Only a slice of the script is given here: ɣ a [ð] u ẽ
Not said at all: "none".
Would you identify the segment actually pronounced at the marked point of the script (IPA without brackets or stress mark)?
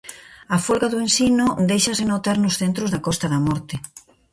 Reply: ð